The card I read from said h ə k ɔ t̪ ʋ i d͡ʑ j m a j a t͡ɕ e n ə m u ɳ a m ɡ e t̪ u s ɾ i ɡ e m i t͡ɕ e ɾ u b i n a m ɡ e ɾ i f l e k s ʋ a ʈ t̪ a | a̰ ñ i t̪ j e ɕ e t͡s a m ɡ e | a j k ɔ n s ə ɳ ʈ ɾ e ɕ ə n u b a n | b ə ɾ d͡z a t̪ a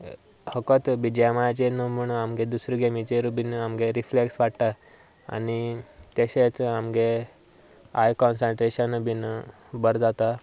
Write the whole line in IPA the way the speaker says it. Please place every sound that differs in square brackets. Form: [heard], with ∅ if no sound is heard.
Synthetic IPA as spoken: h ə k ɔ t̪ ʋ i d͡ʑ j m a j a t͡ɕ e n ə m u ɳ a m ɡ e [d̪] u s ɾ i ɡ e m i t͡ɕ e ɾ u b i n a m ɡ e ɾ i f l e k s ʋ a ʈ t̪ a | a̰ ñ i t̪ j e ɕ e t͡s a m ɡ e | a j k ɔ n s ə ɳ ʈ ɾ e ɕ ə n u b [i] n | b ə ɾ d͡z a t̪ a